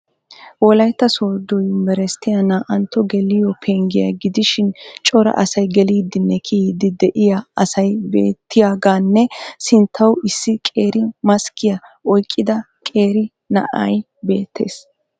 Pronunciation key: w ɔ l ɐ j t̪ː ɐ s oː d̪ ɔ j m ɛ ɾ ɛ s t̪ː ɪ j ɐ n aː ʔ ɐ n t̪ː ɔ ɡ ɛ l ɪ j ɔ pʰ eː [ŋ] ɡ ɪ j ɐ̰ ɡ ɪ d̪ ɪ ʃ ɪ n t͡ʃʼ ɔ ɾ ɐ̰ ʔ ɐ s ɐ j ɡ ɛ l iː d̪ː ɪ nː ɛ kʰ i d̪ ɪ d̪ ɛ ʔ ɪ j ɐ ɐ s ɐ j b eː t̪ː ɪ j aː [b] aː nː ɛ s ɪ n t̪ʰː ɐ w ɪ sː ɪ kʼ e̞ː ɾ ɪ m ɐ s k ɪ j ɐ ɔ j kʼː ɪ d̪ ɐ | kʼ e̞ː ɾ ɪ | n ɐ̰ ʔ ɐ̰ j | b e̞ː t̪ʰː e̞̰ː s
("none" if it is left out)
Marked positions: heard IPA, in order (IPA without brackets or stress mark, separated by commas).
ŋ, ɡ